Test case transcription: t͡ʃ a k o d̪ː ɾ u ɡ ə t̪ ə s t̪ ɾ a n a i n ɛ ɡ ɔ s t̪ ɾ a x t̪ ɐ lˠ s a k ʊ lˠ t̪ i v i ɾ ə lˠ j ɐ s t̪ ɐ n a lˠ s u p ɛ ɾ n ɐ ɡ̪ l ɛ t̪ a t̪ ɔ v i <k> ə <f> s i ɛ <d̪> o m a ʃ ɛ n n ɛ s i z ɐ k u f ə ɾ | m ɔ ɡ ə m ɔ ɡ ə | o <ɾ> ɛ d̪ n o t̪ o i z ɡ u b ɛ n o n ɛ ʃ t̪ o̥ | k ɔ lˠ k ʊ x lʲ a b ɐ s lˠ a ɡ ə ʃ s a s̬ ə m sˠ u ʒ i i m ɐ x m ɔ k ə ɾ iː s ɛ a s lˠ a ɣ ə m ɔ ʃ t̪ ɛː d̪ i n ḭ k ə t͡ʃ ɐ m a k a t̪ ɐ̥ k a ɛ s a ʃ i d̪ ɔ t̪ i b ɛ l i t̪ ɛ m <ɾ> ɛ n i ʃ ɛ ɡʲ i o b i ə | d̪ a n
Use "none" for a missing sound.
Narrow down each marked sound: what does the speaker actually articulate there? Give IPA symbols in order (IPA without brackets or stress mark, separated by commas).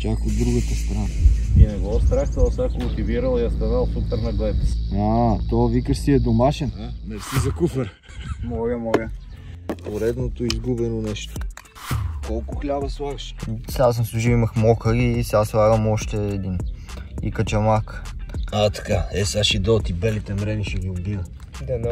k, ʃ, d̪, ɾ, ɾ